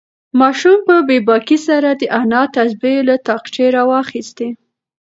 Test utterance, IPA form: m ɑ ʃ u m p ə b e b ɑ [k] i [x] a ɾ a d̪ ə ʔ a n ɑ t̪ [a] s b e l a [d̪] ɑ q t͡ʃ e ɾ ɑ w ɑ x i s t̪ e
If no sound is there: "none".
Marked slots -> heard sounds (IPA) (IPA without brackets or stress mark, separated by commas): k, s, a, t̪